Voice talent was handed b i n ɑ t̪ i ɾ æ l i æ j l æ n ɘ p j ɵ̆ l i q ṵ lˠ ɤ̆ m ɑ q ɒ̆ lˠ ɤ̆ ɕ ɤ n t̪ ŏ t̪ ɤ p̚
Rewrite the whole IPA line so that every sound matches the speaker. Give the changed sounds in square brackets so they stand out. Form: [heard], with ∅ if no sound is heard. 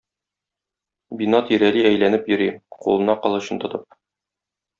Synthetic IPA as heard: b i n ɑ t̪ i ɾ æ l i æ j l æ n ɘ p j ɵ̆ [ɾ] i q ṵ lˠ ɤ̆ [n] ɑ q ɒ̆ lˠ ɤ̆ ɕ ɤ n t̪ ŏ t̪ ɤ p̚